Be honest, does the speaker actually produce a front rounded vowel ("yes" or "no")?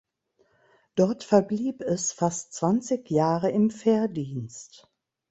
no